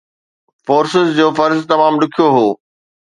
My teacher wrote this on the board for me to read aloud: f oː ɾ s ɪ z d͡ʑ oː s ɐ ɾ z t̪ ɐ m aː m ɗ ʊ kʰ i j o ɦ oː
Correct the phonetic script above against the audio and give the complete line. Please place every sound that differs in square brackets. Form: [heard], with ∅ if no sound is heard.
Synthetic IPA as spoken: f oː ɾ s ɪ z d͡ʑ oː [f] ɐ ɾ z t̪ ɐ m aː m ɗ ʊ kʰ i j o ɦ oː